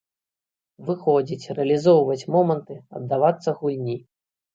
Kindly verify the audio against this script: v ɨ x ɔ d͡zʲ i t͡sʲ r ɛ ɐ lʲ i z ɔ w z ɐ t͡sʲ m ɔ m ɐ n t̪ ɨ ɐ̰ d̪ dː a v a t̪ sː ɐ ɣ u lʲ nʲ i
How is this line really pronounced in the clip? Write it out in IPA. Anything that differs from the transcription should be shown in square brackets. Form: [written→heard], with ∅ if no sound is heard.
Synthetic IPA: v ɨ x ɔ d͡zʲ i t͡sʲ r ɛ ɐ lʲ i z ɔ w [z→v] ɐ t͡sʲ m ɔ m ɐ n t̪ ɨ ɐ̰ d̪ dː a v a t̪ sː ɐ ɣ u lʲ nʲ i